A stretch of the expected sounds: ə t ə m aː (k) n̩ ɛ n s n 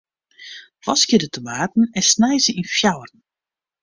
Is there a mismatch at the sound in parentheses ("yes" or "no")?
yes